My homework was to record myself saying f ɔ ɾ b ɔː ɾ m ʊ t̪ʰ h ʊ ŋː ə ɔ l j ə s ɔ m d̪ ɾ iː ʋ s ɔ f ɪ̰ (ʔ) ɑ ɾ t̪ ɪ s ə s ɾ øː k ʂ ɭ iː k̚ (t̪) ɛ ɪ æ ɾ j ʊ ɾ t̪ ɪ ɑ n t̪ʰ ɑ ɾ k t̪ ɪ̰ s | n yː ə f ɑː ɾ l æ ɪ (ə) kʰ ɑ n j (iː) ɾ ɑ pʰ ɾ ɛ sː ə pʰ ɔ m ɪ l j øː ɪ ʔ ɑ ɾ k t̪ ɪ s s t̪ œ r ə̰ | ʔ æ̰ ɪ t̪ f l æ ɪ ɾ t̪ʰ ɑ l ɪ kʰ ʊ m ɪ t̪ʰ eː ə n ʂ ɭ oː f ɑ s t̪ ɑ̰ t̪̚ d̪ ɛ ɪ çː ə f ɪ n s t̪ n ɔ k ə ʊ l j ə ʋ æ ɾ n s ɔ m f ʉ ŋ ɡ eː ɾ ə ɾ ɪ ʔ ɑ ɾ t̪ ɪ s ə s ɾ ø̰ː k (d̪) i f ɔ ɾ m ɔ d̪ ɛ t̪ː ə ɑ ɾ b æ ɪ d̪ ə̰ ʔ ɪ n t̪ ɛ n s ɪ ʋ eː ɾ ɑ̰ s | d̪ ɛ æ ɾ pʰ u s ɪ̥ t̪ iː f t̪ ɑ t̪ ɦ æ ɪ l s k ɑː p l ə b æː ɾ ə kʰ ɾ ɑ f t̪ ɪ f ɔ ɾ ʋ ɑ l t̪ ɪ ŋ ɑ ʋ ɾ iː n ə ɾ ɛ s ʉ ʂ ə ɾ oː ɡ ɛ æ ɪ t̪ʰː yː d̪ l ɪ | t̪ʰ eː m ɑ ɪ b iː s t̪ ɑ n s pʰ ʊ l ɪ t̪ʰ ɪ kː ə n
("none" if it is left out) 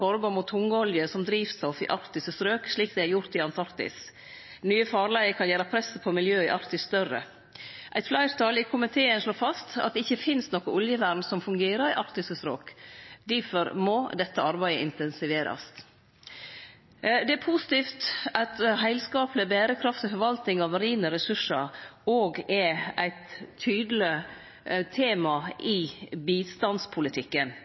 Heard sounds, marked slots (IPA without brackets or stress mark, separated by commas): ʔ, d̪, ə, æː, d̪